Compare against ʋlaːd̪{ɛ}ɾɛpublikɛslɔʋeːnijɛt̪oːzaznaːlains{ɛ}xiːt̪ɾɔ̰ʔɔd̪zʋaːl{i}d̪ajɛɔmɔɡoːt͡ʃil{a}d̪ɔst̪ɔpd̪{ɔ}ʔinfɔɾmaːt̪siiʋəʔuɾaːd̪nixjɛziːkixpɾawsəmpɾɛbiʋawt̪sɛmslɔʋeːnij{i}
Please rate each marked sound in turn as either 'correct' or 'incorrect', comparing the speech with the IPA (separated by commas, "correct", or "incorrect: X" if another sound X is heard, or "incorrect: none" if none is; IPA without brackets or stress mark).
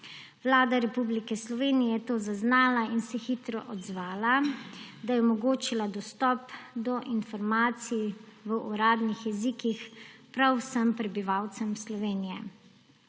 incorrect: a, correct, incorrect: a, correct, correct, incorrect: ɛ